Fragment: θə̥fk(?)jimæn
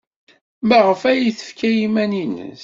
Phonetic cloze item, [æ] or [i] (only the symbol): æ